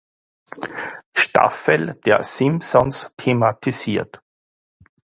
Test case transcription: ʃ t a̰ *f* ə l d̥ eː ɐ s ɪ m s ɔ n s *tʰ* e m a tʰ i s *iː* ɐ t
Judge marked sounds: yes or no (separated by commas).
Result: yes, yes, yes